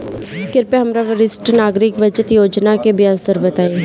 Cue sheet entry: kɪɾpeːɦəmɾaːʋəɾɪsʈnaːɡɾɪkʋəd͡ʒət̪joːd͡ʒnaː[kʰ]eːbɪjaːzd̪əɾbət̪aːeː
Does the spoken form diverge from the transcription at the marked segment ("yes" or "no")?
yes